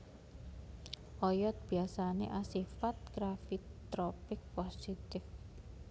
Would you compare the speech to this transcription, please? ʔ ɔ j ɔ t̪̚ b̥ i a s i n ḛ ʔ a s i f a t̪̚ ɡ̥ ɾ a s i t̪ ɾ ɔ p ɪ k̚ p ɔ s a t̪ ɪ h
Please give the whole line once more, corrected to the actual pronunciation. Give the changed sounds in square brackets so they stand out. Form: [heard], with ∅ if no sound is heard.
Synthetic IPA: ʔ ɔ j ɔ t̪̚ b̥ i a s [a] n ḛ ʔ a s i f a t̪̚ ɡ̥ ɾ a [f] i t̪ ɾ ɔ p ɪ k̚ p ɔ s [i] t̪ ɪ [f]